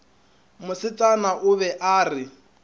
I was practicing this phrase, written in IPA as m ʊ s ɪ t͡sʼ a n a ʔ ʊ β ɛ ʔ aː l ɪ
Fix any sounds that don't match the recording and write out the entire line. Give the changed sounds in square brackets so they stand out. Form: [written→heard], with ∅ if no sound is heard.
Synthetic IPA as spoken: m ʊ s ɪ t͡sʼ a n a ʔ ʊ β ɛ ʔ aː [l→r] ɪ